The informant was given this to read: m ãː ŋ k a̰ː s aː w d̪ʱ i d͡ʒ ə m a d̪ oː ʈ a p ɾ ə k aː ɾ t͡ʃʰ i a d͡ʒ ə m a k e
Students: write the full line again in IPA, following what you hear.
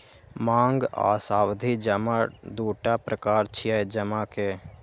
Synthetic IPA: m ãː ŋ ɡ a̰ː s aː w d̪ʱ i d͡ʒ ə m a d̪ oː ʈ a p ɾ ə k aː ɾ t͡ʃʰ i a d͡ʒ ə m a k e